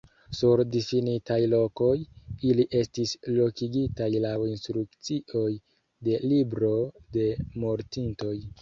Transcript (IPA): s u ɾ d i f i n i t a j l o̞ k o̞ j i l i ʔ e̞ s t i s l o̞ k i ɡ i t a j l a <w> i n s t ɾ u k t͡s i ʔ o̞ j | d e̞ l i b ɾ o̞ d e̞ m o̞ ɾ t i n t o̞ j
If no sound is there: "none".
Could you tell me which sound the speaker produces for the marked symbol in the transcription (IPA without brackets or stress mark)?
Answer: w